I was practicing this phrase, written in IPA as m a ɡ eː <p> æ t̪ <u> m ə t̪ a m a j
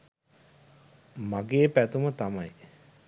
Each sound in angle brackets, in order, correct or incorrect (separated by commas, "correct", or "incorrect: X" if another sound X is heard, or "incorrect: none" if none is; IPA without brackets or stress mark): correct, correct